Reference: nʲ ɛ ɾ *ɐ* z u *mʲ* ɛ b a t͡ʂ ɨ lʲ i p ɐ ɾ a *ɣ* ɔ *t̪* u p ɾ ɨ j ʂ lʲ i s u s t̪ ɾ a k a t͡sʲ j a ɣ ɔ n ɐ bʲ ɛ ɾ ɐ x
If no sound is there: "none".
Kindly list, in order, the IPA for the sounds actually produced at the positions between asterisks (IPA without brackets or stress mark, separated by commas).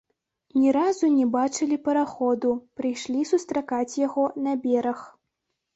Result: a, nʲ, x, d̪